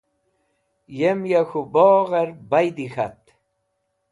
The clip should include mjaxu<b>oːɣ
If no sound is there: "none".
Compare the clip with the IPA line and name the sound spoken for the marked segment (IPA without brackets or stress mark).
b